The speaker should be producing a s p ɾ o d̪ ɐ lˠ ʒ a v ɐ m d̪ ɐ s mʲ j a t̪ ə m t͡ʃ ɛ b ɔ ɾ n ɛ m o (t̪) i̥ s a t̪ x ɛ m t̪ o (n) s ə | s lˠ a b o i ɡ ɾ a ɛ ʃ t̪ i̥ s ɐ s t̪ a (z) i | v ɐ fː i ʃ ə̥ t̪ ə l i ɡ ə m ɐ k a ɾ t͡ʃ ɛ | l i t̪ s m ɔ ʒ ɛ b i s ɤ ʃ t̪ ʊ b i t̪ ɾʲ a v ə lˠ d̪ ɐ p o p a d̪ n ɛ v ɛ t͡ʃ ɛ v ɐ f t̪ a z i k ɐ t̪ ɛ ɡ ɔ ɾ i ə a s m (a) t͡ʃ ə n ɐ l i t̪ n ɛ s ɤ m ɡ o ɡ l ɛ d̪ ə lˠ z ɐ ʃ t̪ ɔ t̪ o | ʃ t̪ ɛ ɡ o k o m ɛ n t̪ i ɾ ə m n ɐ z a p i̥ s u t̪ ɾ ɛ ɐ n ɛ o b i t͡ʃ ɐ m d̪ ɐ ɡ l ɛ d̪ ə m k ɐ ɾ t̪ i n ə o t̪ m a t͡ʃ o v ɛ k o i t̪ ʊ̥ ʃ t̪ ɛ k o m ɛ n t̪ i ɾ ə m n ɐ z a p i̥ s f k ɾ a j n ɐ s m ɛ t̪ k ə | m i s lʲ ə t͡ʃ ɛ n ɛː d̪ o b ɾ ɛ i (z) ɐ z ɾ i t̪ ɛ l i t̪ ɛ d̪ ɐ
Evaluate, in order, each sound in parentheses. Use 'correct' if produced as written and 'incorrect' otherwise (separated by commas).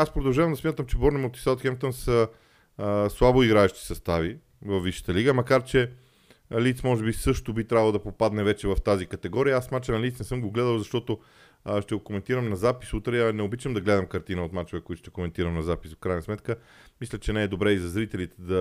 correct, correct, incorrect, correct, correct